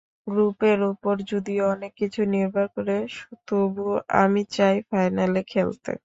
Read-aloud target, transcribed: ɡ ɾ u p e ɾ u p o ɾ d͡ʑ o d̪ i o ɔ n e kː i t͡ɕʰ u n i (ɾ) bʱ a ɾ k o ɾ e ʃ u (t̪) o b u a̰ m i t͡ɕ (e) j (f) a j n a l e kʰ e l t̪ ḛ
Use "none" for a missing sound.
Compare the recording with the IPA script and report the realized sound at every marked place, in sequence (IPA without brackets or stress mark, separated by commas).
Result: ɾ, t̪, a, f